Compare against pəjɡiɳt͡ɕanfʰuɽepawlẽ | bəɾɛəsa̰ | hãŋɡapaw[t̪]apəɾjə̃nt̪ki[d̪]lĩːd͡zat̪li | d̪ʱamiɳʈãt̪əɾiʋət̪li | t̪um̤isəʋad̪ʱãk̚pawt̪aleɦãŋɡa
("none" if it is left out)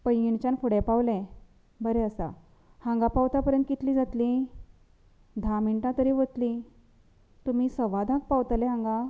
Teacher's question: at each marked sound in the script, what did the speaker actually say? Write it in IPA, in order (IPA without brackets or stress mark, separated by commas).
t̪, t̪